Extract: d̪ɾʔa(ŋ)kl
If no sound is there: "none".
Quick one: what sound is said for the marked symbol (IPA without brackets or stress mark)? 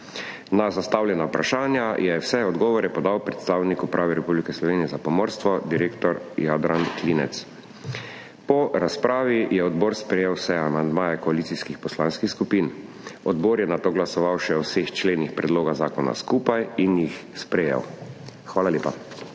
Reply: n